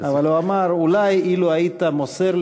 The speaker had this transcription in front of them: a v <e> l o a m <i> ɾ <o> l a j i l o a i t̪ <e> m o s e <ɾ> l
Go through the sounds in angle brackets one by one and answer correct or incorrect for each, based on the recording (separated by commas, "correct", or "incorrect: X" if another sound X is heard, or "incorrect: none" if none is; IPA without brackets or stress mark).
incorrect: a, incorrect: a, incorrect: u, incorrect: a, correct